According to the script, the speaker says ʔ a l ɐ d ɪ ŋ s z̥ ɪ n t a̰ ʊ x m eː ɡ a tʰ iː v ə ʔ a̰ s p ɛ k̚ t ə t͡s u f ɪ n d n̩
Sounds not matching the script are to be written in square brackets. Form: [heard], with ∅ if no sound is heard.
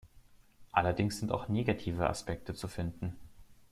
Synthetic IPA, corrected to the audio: ʔ a l ɐ d ɪ ŋ s z̥ ɪ n t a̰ ʊ x [n] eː ɡ a tʰ iː v ə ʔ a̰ s p ɛ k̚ t ə t͡s u f ɪ n d n̩